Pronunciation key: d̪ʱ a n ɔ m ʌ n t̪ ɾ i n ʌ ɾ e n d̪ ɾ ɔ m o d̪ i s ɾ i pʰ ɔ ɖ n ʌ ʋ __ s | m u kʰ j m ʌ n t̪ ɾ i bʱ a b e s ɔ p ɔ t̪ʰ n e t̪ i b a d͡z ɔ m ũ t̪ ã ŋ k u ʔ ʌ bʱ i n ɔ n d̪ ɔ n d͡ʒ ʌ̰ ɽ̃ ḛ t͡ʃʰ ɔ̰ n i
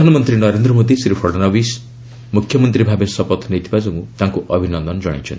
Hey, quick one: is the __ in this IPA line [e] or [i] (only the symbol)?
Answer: i